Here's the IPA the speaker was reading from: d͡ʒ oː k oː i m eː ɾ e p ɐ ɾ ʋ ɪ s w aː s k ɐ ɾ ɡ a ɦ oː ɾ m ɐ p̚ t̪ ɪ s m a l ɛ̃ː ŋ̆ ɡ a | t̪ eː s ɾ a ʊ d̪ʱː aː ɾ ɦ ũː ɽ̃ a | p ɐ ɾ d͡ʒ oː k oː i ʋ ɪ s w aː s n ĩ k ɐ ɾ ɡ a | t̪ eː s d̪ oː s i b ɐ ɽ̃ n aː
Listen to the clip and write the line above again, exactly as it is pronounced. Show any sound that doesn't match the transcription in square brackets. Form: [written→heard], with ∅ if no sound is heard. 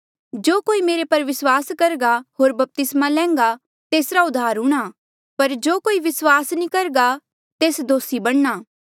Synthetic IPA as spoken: d͡ʒ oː k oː i m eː ɾ e p ɐ ɾ ʋ ɪ s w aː s k ɐ ɾ ɡ a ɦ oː ɾ [m→b] ɐ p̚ t̪ ɪ s m a l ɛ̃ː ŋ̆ ɡ a | t̪ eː s ɾ a ʊ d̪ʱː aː ɾ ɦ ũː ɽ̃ a | p ɐ ɾ d͡ʒ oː k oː i ʋ ɪ s w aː s n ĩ k ɐ ɾ ɡ a | t̪ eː s d̪ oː s i b ɐ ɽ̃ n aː